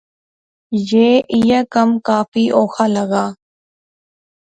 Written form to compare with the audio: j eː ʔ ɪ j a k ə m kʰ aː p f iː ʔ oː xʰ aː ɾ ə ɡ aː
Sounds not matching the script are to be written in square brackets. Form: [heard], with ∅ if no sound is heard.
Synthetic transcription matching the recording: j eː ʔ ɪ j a k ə m [k] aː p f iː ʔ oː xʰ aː [l] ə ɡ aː